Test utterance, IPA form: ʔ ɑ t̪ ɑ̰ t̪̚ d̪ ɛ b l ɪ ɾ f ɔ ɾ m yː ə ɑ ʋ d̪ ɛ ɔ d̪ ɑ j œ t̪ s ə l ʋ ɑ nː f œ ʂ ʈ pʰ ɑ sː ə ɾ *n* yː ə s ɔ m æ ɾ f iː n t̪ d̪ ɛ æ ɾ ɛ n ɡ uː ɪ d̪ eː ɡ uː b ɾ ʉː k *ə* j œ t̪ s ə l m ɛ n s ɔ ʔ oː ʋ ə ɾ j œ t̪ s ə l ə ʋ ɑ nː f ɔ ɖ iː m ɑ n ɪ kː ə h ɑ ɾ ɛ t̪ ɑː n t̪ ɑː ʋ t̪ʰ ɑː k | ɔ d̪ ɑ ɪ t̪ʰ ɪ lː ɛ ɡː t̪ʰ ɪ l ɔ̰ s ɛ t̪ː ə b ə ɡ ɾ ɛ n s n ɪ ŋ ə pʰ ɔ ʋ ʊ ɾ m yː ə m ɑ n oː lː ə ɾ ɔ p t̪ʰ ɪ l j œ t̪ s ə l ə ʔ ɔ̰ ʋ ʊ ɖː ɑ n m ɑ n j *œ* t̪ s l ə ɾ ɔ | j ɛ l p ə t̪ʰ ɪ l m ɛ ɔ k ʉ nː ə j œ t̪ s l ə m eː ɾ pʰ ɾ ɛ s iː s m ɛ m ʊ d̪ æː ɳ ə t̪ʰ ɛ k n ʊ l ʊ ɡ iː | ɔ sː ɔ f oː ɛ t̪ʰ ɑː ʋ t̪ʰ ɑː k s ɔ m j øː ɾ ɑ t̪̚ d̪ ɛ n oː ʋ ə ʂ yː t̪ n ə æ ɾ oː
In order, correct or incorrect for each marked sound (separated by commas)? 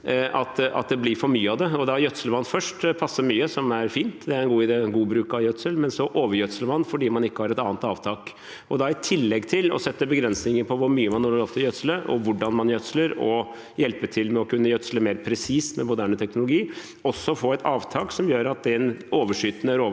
incorrect, incorrect, correct